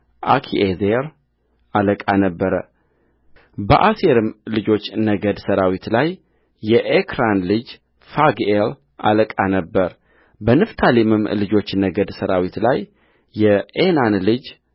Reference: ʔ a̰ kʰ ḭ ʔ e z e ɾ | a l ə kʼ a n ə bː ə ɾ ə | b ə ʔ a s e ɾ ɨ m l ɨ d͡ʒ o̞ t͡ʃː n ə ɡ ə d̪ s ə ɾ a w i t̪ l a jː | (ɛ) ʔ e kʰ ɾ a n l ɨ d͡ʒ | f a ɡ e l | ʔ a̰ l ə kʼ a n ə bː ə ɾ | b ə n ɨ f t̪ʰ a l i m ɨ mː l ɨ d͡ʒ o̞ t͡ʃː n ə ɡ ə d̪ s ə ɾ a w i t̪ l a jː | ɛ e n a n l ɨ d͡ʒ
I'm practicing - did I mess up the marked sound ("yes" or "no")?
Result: no